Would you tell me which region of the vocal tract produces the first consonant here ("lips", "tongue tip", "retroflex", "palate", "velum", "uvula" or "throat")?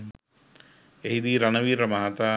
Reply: throat